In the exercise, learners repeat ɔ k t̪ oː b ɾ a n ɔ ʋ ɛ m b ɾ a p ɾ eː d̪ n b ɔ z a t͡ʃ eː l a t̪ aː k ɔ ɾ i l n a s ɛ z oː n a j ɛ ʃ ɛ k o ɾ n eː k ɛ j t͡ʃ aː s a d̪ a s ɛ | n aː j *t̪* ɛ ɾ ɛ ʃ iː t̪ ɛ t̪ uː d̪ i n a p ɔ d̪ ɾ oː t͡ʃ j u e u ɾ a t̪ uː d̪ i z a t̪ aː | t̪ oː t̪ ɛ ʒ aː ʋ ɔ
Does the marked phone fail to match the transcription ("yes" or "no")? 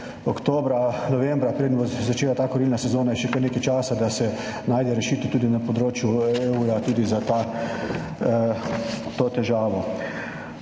yes